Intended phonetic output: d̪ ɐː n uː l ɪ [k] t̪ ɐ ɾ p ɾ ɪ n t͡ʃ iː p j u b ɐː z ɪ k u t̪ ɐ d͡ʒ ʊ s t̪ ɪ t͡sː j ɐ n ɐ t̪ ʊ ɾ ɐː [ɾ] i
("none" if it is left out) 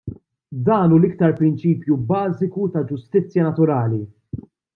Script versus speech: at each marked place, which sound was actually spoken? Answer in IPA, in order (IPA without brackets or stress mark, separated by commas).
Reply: k, l